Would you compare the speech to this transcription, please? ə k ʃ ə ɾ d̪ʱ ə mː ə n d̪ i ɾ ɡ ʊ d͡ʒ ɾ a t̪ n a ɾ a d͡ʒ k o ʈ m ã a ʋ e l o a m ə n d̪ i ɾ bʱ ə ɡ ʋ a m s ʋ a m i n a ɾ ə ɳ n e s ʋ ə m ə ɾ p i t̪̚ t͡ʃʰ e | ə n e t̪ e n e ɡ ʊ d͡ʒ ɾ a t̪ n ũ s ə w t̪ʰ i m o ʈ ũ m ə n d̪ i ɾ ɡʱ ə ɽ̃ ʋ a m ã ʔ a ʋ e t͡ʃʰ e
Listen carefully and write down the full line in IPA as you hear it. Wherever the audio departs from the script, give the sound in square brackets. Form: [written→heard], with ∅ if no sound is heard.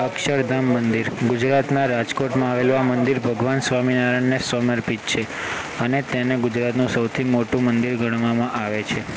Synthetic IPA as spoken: ə k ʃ ə ɾ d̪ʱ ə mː ə n d̪ i ɾ ɡ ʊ d͡ʒ ɾ a t̪ n a ɾ a d͡ʒ k o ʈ m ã a ʋ e l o a m ə n d̪ i ɾ bʱ ə ɡ ʋ a [m→n] s ʋ a m i n a ɾ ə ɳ n e s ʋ ə m ə ɾ p i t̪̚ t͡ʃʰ e | ə n e t̪ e n e ɡ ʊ d͡ʒ ɾ a t̪ n ũ s ə w t̪ʰ i m o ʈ ũ m ə n d̪ i ɾ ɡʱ ə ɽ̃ ʋ a m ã ʔ a ʋ e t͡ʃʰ e